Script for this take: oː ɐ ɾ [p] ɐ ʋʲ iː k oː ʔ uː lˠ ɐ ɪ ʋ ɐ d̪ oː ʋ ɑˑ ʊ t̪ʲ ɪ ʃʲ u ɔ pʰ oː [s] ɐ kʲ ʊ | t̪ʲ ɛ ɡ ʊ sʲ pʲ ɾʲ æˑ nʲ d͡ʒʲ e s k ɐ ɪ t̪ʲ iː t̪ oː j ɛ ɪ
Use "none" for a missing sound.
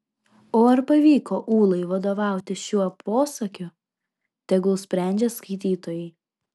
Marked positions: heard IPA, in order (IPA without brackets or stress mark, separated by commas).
p, s